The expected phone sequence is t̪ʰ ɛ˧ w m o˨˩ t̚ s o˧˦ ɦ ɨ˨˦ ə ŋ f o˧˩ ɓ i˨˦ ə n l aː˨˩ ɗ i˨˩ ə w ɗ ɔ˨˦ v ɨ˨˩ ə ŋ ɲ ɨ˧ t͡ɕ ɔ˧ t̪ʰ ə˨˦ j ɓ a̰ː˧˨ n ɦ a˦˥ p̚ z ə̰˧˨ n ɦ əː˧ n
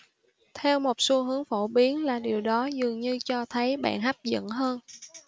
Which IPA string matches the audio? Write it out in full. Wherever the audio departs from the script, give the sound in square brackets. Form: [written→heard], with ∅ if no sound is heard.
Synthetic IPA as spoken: t̪ʰ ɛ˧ w m o˨˩ t̚ s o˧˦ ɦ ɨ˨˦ ə ŋ f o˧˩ ɓ i˨˦ ə n l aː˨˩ ɗ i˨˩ ə w ɗ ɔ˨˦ [v→z] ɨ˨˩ ə ŋ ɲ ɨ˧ t͡ɕ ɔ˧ t̪ʰ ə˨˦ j ɓ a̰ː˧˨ n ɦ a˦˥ p̚ z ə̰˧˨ n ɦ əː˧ n